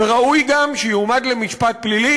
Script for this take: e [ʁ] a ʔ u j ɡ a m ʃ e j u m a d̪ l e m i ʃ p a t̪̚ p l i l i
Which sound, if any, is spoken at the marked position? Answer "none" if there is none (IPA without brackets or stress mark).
ʁ